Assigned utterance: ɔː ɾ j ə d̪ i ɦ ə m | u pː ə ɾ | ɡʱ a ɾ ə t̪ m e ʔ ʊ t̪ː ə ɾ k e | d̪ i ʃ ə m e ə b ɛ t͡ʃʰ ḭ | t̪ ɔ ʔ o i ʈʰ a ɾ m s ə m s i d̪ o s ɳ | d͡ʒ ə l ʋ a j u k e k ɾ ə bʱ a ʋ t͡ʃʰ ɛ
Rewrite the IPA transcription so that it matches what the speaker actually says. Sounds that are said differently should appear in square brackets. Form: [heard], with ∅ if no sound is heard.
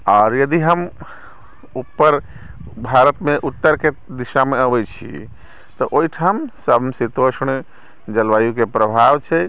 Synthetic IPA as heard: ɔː ɾ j ə d̪ i ɦ ə m | u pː ə ɾ | [bʱ] a ɾ ə t̪ m e ʔ [u] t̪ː ə ɾ k e | d̪ i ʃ [a] m e ə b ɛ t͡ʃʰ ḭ | t̪ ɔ ʔ o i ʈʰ a [∅] m s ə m s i [t̪] o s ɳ | d͡ʒ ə l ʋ a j u k e [p] ɾ ə bʱ a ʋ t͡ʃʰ ɛ